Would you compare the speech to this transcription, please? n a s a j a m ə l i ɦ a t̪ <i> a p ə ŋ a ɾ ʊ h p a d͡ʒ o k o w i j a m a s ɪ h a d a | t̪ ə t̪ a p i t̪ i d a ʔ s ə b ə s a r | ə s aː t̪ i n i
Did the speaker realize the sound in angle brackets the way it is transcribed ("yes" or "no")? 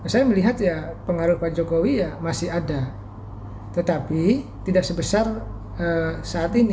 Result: no